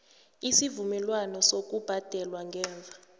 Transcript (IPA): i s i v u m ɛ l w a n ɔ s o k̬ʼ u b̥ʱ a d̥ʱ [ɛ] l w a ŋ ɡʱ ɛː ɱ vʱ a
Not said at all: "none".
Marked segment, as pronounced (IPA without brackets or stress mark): ɛ